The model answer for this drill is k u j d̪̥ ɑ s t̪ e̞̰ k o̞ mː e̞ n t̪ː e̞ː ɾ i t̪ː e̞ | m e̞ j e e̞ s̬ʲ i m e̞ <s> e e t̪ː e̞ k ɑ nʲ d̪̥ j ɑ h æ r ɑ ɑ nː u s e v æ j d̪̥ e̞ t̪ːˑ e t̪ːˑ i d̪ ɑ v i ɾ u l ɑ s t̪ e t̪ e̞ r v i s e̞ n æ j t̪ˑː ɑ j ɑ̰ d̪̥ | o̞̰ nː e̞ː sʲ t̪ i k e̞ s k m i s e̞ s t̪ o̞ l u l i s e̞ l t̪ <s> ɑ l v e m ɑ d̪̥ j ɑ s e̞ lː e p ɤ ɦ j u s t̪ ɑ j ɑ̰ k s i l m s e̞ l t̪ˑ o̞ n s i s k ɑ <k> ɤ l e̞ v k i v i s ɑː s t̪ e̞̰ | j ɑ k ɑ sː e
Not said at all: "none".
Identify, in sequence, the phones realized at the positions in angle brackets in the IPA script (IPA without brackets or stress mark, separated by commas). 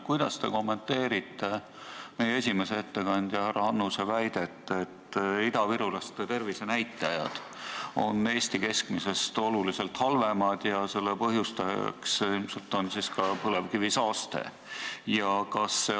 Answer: s, h, p